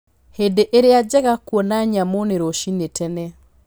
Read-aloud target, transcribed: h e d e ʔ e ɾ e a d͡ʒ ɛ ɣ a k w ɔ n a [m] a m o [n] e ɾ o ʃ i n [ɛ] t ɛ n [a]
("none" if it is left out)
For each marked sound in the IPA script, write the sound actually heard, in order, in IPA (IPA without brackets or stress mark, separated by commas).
ɲ, n, e, ɛ